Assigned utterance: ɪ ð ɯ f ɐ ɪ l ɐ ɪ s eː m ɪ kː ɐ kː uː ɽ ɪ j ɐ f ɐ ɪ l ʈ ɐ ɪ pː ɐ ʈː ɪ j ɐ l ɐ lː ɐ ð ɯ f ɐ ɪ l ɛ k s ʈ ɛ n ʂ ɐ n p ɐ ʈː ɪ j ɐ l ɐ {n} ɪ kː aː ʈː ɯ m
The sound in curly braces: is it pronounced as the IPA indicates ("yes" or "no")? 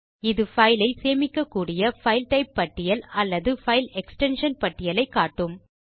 no